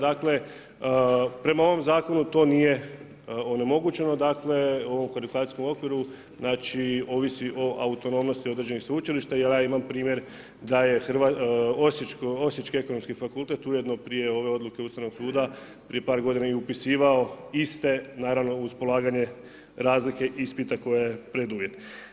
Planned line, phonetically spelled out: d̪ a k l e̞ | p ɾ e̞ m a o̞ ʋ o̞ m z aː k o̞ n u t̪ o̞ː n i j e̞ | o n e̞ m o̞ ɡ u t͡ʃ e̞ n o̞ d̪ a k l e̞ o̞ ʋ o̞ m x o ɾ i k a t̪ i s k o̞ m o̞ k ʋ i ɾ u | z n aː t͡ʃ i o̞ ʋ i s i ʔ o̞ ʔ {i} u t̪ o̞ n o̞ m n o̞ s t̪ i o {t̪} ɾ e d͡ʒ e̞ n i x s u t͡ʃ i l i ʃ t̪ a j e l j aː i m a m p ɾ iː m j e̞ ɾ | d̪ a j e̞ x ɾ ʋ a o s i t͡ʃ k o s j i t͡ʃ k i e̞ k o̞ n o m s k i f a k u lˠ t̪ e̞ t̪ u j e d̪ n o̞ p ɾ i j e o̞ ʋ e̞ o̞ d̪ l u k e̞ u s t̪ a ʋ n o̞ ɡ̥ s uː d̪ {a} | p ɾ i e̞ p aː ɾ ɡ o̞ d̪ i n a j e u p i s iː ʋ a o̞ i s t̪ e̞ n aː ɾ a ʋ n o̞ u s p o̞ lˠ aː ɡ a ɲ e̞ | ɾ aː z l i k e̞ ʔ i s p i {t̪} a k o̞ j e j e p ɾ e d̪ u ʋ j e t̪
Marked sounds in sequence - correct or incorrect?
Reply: incorrect, incorrect, correct, correct

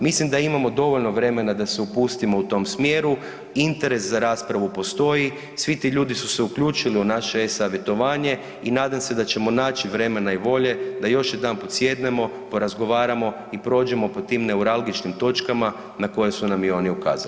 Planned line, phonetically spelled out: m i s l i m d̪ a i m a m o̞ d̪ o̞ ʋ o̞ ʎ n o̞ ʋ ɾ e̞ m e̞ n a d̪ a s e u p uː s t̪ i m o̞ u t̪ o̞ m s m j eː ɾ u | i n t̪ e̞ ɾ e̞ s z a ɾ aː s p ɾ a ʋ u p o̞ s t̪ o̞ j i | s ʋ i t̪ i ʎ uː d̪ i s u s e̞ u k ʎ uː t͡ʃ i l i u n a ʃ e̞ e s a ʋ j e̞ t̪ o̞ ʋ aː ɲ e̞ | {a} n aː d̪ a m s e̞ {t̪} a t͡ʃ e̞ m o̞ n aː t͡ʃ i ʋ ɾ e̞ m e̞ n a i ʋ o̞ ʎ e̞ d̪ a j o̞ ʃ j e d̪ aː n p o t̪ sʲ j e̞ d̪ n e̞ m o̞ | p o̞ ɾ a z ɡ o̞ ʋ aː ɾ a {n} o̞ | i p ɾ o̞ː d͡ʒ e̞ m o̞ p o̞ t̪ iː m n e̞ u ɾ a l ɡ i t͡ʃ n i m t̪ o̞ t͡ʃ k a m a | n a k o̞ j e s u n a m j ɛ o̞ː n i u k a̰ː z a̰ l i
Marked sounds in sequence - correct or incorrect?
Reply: incorrect, incorrect, incorrect

